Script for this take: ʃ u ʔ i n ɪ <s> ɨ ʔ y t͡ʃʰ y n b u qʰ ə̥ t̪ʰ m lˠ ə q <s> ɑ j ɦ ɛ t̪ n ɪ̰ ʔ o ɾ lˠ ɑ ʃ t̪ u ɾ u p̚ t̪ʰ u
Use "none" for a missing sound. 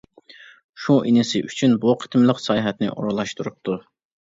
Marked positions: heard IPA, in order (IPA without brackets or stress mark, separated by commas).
s, s